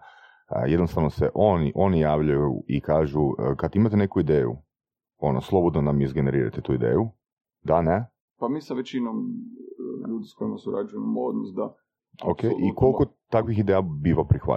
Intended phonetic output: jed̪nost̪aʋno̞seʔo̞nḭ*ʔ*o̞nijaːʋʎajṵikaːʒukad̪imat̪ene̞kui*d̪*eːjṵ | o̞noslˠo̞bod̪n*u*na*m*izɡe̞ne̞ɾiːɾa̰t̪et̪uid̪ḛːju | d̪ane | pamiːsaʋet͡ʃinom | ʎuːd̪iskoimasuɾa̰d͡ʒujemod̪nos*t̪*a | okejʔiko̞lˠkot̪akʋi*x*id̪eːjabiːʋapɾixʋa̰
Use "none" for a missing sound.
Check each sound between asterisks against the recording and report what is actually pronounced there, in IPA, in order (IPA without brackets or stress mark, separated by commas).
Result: ʔ, d̪, o, m, d̪, x